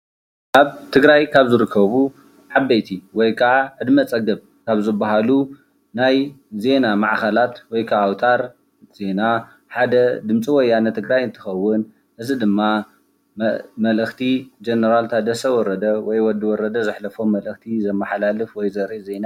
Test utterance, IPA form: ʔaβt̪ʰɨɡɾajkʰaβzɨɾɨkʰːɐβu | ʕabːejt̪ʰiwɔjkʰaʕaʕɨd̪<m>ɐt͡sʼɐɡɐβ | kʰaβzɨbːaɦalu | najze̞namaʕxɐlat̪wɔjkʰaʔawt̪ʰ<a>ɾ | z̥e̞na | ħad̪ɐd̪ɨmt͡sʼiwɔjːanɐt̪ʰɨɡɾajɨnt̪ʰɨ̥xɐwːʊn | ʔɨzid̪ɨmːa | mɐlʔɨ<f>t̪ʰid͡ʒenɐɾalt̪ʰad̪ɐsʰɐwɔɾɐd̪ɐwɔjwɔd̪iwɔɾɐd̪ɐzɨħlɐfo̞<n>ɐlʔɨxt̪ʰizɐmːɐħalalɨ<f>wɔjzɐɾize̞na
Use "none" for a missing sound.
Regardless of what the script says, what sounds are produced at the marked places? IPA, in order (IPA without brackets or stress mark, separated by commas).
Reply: m, a, x, m, f